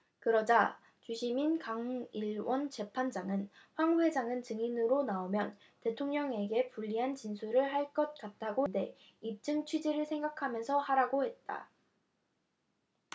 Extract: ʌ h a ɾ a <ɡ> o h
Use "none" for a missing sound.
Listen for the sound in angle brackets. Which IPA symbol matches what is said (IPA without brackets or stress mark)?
ɡ